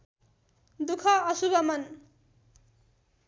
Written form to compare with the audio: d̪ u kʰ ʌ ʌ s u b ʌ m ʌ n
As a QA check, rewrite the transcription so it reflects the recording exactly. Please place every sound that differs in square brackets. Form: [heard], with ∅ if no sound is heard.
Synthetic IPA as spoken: d̪ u kʰ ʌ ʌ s u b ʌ m ʌ n